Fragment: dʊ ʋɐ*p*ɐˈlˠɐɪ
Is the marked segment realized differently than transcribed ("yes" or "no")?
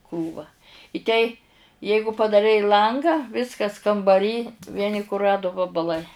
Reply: yes